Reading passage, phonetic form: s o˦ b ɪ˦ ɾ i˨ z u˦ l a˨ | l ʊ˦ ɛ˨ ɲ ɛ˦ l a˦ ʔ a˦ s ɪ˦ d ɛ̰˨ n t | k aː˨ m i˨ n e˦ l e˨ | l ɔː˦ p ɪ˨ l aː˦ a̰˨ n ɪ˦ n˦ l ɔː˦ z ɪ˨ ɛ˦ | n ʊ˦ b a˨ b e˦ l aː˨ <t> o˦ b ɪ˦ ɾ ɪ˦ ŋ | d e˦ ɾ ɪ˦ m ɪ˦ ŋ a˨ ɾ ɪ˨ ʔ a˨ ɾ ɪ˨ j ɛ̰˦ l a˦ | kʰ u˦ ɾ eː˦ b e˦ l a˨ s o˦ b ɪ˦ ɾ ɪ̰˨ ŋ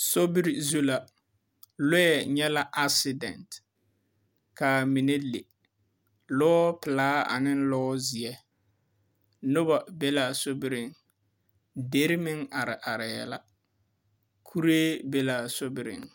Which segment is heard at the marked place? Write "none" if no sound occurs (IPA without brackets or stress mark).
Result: s